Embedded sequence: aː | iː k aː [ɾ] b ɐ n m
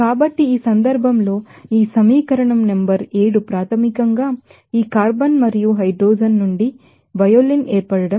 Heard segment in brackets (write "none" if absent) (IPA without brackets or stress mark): ɾ